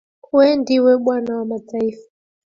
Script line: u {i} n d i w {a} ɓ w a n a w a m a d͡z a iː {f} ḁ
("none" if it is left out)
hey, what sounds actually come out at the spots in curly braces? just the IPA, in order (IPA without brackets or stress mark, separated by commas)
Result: ɛ, ɛ, f